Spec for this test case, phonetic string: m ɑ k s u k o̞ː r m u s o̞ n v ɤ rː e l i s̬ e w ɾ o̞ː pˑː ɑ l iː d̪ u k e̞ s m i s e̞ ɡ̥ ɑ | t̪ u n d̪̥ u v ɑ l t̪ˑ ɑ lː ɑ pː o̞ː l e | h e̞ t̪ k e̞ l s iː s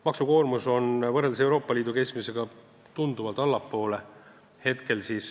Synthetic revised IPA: m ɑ k s u k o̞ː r m u s o̞ n v ɤ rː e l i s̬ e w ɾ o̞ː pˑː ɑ l iː d̪ u k e̞ s m i s e̞ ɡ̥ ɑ | t̪ u n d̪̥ u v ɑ l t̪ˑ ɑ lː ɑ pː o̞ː l e | h e̞ t̪ k e̞ l s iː s